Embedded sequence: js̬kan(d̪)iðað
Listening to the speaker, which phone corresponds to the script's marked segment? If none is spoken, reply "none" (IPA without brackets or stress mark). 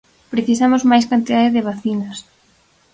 t̪